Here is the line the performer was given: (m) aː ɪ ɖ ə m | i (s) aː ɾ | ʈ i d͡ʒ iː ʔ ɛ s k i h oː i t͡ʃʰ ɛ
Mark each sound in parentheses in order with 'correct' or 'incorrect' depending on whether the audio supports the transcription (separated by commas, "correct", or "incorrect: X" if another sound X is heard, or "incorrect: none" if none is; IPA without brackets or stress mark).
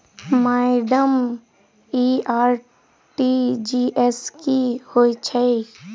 correct, incorrect: none